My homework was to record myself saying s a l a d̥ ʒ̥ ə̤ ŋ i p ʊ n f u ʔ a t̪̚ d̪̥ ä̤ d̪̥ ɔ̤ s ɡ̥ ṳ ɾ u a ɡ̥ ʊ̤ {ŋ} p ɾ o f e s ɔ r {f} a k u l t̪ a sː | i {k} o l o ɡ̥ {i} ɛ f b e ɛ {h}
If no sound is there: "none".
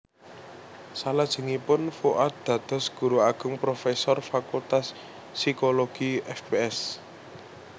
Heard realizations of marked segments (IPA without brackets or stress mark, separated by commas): ŋ, f, k, i, s